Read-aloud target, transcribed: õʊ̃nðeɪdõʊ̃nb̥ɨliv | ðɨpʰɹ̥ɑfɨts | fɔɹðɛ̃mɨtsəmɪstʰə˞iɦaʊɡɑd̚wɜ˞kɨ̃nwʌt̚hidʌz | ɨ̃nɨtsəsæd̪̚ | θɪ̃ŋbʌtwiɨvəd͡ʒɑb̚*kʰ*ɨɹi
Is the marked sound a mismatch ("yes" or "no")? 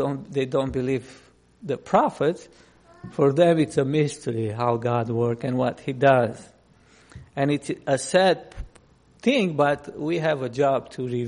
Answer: yes